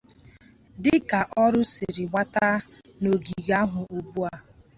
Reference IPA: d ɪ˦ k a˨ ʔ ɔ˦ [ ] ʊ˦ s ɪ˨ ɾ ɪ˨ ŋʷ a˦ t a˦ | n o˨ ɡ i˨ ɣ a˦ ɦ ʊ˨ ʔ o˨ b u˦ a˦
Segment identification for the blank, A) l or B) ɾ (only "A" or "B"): B